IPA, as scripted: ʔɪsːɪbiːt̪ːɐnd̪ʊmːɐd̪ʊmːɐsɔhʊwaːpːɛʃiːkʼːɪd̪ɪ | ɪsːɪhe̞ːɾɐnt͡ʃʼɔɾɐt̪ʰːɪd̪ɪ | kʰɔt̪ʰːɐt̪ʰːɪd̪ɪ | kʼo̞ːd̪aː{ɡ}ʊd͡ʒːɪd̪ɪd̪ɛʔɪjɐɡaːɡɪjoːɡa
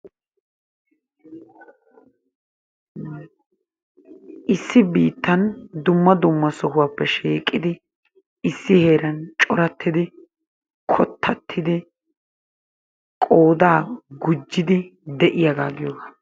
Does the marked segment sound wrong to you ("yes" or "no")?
no